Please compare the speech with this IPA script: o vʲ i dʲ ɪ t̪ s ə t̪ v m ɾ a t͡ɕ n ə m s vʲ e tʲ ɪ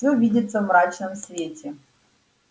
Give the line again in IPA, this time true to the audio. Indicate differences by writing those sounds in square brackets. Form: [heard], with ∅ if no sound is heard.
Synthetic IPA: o vʲ i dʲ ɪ t̪ s ə [∅] v m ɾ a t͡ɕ n ə m s vʲ e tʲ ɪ

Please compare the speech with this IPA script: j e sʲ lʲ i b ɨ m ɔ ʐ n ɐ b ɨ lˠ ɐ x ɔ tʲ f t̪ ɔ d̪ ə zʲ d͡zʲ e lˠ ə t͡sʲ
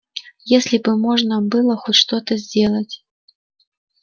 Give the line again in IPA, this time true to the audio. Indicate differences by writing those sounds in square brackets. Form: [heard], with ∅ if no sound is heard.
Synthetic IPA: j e sʲ lʲ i b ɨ m ɔ ʐ n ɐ b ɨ lˠ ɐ x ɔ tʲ [ʂ] t̪ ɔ [t̪] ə zʲ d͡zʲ e lˠ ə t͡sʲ

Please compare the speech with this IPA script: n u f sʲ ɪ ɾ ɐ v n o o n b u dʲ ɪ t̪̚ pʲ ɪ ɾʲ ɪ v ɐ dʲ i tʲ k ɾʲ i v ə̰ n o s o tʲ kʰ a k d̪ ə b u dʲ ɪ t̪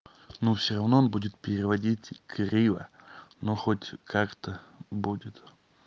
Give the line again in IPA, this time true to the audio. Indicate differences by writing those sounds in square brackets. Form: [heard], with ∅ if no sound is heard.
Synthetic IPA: n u f sʲ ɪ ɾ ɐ v n o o n b u dʲ ɪ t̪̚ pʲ ɪ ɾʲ ɪ v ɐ dʲ i tʲ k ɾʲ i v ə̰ n o [x] o tʲ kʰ a k [t̪] ə b u dʲ ɪ t̪

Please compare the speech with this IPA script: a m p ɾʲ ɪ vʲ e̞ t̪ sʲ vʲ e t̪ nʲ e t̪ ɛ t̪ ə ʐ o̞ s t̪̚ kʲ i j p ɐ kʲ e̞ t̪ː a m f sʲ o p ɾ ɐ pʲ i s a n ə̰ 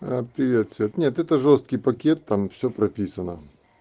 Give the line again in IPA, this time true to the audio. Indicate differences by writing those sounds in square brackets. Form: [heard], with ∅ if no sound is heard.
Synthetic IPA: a [∅] p ɾʲ ɪ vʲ e̞ t̪ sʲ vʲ e t̪ nʲ e t̪ ɛ t̪ ə ʐ o̞ s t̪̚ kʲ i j p ɐ kʲ e̞ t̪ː a m f sʲ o p ɾ ɐ pʲ i s [ə] n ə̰

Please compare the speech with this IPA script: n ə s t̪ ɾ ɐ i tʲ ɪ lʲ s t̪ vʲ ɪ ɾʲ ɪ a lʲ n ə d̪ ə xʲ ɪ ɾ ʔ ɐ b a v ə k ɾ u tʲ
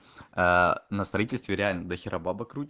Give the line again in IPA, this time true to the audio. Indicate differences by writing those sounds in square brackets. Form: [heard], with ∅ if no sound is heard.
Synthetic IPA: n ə s t̪ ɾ ɐ i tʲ ɪ lʲ s t̪ vʲ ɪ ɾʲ ɪ a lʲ n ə d̪ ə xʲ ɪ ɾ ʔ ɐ b a [b] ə k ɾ u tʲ

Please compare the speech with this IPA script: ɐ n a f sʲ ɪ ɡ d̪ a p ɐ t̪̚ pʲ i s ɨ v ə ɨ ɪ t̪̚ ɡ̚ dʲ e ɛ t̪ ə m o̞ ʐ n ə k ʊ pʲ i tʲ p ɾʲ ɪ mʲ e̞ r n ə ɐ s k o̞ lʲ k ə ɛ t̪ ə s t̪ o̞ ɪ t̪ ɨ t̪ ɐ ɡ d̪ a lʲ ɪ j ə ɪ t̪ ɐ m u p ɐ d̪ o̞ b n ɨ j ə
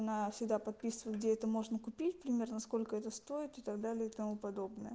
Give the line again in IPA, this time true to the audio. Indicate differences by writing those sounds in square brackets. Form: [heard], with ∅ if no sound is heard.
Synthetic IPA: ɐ n a f sʲ ɪ ɡ d̪ a p ɐ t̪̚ pʲ i s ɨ v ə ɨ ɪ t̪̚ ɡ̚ dʲ e ɛ t̪ ə m o̞ ʐ n ə k ʊ pʲ i tʲ p ɾʲ ɪ mʲ e̞ r n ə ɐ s k o̞ lʲ k ə ɛ t̪ ə s t̪ o̞ ɪ t̪ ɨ t̪ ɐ ɡ d̪ a lʲ ɪ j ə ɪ t̪ ɐ m u p ɐ d̪ o̞ b n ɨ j ə

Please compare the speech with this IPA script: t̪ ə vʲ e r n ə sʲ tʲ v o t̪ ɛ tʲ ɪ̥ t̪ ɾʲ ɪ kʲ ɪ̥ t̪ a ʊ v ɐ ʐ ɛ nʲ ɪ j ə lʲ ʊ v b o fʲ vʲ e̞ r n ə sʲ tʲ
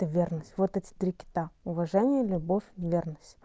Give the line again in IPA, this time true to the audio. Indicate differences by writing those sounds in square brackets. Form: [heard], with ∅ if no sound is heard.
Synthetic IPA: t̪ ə vʲ e r n ə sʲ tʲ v o t̪ ɛ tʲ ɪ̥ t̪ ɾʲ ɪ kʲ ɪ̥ t̪ a ʊ v ɐ ʐ ɛ nʲ ɪ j ə lʲ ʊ [∅] b o fʲ vʲ e̞ r n ə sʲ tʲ

